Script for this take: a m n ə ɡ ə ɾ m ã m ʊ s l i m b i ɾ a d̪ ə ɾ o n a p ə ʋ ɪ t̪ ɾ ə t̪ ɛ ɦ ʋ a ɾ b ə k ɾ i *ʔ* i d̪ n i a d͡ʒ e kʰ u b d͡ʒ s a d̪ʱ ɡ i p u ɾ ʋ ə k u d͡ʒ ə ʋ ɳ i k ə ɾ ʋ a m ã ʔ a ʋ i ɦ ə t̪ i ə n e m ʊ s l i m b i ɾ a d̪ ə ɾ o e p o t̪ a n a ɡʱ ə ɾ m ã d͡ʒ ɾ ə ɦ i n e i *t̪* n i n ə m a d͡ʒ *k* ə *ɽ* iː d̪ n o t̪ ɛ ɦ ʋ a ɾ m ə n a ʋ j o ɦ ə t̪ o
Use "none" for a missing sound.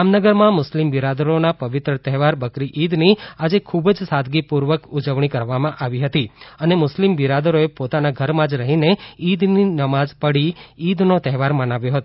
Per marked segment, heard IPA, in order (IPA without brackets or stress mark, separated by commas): ʔ, d̪, p, ɽ